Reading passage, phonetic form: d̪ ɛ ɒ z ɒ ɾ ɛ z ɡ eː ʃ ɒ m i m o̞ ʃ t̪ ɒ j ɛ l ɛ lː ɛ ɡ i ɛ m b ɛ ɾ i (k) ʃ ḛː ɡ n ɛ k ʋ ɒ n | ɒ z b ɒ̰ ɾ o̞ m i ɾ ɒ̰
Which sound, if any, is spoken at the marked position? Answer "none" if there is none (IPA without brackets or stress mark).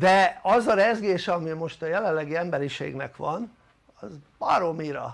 none